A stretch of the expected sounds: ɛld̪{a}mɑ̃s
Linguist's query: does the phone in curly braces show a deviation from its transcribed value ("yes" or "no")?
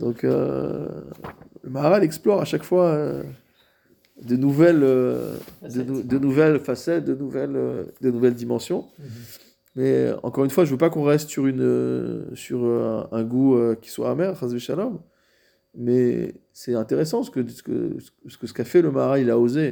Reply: yes